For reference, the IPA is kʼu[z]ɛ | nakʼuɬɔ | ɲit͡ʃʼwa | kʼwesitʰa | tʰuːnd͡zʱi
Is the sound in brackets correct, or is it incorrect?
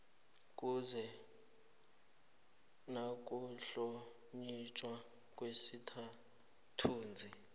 correct